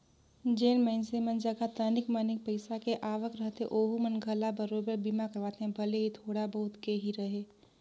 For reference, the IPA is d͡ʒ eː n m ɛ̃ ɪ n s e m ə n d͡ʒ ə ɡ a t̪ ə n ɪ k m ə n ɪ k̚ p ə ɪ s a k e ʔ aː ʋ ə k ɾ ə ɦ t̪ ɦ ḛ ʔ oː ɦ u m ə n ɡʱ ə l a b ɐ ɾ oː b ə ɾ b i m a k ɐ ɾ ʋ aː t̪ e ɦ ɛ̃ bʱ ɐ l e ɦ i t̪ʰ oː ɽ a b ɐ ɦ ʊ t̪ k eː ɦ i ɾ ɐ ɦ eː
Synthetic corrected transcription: d͡ʒ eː n m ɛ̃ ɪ n s e m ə n d͡ʒ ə ɡ a t̪ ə n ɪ k m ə n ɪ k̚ p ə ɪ s a k e ʔ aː ʋ ə k ɾ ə ɦ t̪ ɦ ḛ ʔ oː ɦ u m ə n ɡʱ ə l a b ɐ ɾ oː b ə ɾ b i m a k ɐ ɾ ʋ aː t̪ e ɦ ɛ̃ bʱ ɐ l e ɦ i t̪ʰ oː ɽ a b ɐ ɦ ʊ t̪ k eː ɦ i ɾ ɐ ɦ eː